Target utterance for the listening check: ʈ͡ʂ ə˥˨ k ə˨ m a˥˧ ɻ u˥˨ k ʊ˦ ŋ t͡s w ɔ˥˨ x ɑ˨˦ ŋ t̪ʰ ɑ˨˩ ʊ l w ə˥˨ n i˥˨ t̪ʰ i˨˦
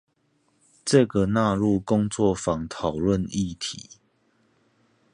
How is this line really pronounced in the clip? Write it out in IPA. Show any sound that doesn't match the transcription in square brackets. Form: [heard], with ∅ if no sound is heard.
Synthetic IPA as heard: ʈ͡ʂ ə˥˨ [ɡ] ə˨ [n] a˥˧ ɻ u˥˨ k ʊ˦ ŋ t͡s w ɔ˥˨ [f] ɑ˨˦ ŋ t̪ʰ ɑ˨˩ ʊ l w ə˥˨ n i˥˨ t̪ʰ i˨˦